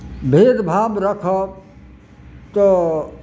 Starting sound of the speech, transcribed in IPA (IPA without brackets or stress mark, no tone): bʱ